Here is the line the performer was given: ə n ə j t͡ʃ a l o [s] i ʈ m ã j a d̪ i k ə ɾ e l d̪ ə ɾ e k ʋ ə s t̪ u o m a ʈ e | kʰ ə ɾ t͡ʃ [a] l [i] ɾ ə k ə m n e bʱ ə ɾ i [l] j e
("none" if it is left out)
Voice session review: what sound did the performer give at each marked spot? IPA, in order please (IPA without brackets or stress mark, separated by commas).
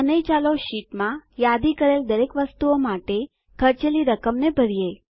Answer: ʃ, e, i, none